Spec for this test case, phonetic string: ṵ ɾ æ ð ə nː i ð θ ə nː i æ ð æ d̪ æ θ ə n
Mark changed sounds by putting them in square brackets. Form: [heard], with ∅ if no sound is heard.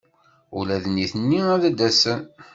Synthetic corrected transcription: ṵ [l] æ ð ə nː i [∅] θ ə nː i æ ð æ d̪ æ [s] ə n